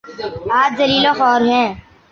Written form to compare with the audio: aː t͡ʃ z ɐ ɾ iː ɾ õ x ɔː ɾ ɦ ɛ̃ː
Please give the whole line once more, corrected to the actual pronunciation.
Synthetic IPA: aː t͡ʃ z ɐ l iː l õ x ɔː ɾ ɦ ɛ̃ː